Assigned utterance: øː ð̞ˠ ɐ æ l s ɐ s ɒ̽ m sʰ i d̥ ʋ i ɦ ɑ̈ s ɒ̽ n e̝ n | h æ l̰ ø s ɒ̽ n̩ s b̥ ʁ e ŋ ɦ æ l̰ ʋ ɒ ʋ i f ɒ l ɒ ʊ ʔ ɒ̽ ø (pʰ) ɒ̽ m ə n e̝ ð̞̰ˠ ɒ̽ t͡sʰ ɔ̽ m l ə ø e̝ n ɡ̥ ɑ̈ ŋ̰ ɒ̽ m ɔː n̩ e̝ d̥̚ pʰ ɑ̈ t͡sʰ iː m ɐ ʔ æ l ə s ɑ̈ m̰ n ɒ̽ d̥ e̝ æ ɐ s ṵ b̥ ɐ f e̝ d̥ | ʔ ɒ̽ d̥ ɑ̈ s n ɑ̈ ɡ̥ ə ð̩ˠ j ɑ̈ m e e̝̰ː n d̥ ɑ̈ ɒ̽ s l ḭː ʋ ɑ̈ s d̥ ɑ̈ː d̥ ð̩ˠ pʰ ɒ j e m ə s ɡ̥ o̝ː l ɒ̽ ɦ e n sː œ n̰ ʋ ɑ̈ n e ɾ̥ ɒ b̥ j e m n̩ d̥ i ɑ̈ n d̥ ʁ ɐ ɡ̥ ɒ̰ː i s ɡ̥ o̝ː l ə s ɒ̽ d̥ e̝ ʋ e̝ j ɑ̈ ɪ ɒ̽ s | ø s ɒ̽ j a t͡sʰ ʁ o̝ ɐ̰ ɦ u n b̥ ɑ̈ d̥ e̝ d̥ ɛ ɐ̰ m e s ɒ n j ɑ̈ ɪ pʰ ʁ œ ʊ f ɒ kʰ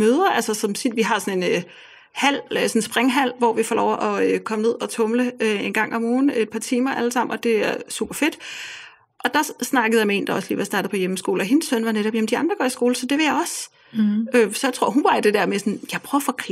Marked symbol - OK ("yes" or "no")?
no